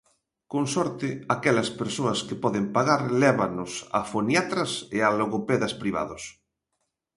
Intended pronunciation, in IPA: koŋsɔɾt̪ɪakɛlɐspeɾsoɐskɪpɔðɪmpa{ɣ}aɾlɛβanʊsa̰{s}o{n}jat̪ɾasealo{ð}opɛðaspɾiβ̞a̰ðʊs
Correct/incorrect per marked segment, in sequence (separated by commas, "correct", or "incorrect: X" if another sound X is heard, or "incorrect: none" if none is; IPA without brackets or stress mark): correct, incorrect: f, correct, incorrect: ɣ